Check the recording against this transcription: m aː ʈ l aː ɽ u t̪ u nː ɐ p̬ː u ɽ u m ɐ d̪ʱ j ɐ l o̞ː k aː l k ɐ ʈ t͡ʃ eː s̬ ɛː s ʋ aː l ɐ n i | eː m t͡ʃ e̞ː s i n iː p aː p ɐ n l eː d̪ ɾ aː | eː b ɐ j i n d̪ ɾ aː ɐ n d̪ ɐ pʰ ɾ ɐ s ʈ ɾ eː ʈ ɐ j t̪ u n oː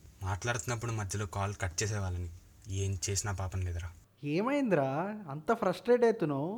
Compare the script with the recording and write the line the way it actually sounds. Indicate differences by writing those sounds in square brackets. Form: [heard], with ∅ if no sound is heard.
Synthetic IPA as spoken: m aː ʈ l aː ɽ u t̪ u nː ɐ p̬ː u ɽ u m ɐ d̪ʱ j ɐ l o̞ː k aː l k ɐ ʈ t͡ʃ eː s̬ ɛː [∅] ʋ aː l ɐ n i | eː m t͡ʃ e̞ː s i n [aː] p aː p ɐ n l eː d̪ ɾ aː | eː [m] ɐ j i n d̪ ɾ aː ɐ n [t̪] ɐ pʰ ɾ ɐ s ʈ ɾ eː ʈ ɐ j t̪ u n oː